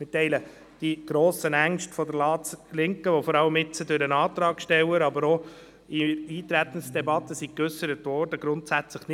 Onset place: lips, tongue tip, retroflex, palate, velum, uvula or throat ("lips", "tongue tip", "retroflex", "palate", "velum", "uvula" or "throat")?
lips